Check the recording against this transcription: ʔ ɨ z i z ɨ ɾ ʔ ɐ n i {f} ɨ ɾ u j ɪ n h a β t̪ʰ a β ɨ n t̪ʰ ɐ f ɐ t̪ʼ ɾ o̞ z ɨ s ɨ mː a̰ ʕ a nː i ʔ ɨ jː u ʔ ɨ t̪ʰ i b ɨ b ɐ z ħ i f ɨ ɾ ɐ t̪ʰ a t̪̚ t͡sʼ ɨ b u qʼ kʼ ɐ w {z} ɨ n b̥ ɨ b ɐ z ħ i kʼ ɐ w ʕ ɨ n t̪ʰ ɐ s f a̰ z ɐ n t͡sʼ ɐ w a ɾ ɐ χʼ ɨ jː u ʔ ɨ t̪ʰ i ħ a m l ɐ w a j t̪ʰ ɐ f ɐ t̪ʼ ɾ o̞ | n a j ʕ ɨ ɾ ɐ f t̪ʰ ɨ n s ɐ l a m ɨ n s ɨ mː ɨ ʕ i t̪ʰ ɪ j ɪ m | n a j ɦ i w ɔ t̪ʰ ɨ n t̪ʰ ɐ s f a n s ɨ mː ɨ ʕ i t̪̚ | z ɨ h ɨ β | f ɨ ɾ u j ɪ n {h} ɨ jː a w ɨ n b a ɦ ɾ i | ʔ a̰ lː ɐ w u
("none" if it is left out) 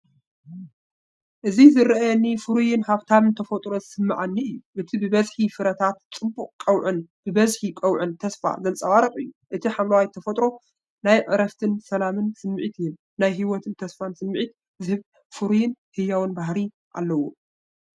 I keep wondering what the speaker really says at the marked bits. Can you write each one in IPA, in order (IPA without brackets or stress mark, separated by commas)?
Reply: f, ʕ, h